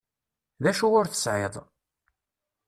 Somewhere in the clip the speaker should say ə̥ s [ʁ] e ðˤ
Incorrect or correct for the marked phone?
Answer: incorrect: ʕ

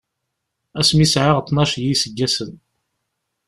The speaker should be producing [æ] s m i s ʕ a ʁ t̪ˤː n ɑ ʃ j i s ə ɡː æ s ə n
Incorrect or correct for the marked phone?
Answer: correct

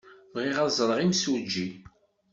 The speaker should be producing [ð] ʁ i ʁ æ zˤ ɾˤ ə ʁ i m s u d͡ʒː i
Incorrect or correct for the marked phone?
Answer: incorrect: v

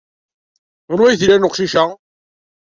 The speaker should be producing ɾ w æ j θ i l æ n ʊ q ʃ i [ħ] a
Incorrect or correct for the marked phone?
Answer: incorrect: ʃ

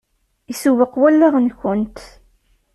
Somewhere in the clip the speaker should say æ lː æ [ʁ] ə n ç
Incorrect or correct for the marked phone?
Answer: correct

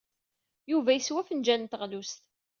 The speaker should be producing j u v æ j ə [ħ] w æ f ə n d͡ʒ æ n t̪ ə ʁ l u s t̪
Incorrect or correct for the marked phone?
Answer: incorrect: s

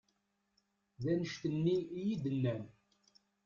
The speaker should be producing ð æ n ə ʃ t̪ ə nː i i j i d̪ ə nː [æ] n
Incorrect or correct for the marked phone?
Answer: correct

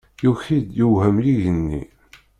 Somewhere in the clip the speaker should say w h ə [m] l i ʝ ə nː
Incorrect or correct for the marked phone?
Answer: correct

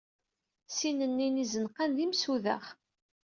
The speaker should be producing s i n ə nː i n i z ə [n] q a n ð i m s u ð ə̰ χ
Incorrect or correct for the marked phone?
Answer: correct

